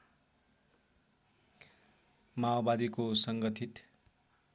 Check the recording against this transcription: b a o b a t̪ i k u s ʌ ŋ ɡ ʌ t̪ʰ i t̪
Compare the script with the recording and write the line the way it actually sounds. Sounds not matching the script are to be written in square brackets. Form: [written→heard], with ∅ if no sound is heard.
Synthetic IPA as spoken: [b→m] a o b a [t̪→d̪] i k [u→o] s ʌ ŋ ɡ ʌ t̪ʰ i t̪